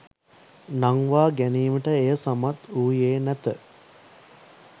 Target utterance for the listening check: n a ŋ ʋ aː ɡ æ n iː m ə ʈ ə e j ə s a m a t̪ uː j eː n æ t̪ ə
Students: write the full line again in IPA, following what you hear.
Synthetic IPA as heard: n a ŋ ʋ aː ɡ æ n iː m ə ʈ ə e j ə s a m a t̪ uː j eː n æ t̪ ə